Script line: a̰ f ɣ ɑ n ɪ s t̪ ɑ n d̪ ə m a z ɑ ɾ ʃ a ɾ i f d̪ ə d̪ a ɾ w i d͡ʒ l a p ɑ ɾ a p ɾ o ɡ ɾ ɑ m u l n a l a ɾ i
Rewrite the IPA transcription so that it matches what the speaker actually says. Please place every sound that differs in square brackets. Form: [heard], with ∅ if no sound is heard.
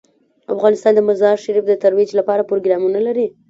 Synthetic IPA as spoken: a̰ f ɣ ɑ n ɪ s t̪ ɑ n d̪ ə m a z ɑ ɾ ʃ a ɾ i f d̪ ə [t̪] a ɾ w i d͡ʒ l a p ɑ ɾ a p ɾ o ɡ ɾ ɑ m u [∅] n a l a ɾ i